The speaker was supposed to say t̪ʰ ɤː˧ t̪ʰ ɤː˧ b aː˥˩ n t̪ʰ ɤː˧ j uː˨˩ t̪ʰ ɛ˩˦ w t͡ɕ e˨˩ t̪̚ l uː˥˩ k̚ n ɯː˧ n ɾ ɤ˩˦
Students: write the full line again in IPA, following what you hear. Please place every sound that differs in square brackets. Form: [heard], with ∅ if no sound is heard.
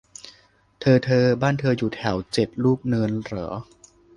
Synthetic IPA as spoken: t̪ʰ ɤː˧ t̪ʰ ɤː˧ b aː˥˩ n t̪ʰ ɤː˧ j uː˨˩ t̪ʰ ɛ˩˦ w t͡ɕ e˨˩ t̪̚ l uː˥˩ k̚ n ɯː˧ n ɾ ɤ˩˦